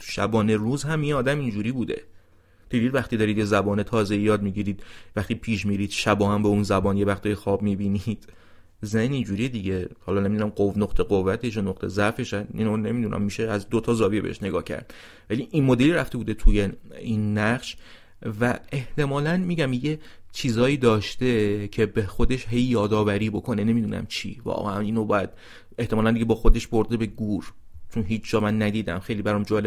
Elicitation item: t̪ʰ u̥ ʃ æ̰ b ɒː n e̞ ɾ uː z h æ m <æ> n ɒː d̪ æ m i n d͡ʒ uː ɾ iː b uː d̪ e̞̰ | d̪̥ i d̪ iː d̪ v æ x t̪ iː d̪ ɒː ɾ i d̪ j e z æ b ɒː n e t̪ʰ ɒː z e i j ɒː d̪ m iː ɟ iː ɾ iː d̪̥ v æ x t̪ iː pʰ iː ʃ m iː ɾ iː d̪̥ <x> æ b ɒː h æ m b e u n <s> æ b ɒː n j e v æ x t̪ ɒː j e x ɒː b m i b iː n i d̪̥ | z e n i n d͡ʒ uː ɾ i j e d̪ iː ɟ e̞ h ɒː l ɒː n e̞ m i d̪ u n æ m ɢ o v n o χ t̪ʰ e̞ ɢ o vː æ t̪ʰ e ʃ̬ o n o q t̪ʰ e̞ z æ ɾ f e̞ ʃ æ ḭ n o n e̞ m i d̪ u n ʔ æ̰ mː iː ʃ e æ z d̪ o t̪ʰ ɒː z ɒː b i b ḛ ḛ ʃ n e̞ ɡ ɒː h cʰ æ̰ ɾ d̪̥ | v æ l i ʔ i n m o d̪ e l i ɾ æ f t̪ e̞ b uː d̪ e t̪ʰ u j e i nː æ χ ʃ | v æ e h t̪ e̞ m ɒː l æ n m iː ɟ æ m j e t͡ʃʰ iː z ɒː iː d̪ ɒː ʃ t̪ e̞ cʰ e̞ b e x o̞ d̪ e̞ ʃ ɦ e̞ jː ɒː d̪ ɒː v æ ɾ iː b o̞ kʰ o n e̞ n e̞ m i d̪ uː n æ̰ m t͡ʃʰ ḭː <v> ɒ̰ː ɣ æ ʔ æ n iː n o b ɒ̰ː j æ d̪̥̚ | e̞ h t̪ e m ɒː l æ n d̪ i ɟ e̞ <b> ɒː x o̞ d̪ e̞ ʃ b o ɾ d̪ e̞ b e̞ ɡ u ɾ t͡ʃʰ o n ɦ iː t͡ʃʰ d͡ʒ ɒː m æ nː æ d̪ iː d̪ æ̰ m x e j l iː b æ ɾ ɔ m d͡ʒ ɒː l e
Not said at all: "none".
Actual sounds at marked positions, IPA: i, ʃ, z, v, b

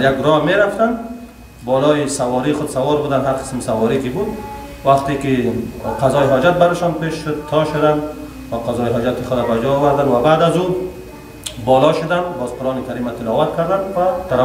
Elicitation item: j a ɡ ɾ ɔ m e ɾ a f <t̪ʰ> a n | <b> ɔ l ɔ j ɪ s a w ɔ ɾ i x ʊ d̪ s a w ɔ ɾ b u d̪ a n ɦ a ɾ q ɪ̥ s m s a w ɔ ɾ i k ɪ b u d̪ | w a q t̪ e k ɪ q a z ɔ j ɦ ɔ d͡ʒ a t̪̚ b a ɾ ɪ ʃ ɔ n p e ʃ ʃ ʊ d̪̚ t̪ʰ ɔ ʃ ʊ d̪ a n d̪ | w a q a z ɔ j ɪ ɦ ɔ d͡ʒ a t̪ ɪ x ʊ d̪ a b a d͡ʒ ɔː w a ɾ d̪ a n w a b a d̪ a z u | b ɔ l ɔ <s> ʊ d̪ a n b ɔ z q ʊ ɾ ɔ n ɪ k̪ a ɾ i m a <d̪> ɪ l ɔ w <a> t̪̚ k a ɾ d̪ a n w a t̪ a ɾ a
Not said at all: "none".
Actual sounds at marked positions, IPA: t̪, b, ʃ, t̪, a

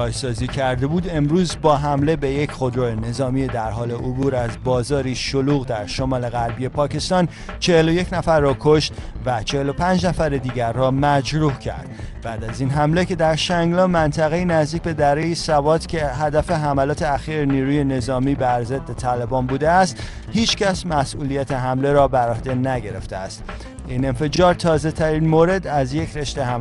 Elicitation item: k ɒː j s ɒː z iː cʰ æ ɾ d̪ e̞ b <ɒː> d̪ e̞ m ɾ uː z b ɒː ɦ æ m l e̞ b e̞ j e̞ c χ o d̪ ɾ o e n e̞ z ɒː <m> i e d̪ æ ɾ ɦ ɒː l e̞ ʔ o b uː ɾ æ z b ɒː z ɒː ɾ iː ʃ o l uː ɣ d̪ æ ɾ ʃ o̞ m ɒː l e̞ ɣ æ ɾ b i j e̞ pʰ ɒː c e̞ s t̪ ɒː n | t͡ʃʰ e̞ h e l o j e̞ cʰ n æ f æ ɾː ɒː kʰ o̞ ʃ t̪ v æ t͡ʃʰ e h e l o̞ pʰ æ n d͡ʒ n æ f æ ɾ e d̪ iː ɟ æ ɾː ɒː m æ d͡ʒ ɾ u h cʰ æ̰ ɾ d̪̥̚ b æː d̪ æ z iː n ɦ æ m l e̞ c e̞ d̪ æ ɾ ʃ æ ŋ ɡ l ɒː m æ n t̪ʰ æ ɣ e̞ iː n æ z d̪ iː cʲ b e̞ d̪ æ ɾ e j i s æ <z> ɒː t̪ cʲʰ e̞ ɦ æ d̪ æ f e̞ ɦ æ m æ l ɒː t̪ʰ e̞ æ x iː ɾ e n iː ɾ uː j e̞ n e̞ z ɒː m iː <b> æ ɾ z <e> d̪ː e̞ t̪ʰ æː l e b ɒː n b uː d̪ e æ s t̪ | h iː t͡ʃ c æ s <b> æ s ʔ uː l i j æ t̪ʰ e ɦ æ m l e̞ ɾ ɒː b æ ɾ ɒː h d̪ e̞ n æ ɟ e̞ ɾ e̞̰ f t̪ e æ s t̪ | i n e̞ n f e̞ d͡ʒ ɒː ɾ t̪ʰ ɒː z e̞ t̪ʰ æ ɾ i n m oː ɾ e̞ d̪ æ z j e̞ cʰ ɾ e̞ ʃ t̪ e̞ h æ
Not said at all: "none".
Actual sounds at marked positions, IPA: uː, m, v, b, e, m

